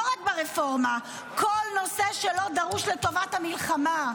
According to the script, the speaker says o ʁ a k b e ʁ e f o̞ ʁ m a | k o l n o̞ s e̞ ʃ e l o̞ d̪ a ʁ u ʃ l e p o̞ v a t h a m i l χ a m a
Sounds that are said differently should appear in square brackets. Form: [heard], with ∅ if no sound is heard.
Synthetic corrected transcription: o ʁ a k b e ʁ e f o̞ ʁ m a | k o l n o̞ s e̞ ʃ e l o̞ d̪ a ʁ u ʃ l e [t] o̞ v a t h a m i l χ a m a